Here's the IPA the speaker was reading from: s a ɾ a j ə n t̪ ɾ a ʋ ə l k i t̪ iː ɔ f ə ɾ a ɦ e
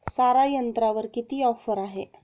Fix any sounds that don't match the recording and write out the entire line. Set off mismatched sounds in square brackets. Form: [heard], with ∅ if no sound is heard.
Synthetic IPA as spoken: s a ɾ a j ə n t̪ ɾ a ʋ ə [ɾ] k i t̪ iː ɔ f ə ɾ a ɦ e